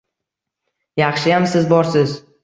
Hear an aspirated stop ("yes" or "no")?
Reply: no